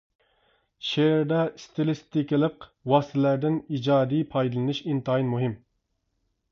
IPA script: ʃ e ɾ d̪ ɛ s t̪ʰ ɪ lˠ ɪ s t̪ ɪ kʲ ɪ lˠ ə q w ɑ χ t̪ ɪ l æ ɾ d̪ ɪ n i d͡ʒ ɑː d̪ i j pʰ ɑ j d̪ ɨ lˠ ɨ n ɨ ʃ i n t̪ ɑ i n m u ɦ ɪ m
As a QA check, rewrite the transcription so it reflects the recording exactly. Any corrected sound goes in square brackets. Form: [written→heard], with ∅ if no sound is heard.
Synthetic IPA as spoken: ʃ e ɾ d̪ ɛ s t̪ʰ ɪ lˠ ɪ s t̪ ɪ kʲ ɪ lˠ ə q w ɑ [χ→s] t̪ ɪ l æ ɾ d̪ ɪ n i d͡ʒ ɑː d̪ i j pʰ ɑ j d̪ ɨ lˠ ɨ n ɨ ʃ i n t̪ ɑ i n m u ɦ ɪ m